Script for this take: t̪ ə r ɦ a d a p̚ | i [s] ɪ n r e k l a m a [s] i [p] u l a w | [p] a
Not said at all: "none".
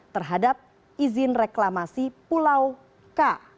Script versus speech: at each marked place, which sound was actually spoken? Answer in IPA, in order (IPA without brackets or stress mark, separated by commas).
z, s, p, k